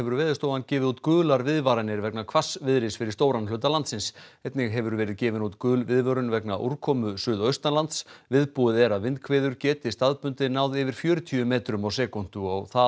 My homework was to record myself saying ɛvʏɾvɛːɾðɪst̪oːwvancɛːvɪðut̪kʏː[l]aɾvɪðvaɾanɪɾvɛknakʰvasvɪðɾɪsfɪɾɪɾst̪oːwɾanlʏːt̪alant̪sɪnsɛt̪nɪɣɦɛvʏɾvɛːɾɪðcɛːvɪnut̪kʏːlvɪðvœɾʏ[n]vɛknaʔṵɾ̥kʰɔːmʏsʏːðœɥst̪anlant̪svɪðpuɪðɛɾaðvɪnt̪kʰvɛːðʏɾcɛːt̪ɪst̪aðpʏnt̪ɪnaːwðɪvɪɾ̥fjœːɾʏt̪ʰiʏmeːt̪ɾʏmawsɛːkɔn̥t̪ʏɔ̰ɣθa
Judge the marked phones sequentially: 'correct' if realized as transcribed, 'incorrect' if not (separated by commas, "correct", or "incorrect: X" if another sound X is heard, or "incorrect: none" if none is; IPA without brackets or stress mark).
correct, correct